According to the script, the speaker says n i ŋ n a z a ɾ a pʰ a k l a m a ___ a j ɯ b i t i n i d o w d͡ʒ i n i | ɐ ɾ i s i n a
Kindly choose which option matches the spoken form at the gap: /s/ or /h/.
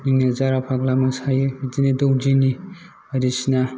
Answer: s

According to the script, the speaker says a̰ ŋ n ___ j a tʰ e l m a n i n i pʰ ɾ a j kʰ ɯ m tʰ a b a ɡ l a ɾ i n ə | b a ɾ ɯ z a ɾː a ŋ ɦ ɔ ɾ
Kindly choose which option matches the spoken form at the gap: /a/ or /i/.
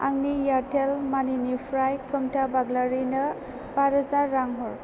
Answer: i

